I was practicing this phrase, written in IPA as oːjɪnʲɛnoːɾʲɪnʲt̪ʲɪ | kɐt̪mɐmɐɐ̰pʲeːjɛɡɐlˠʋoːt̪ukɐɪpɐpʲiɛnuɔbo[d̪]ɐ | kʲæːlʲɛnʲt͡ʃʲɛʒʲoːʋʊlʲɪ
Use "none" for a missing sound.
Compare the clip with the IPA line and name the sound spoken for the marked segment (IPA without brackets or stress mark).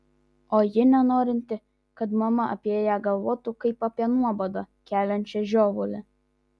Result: d̪